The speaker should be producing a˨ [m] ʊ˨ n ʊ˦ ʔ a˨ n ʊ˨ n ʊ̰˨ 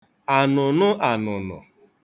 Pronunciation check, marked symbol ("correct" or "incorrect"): incorrect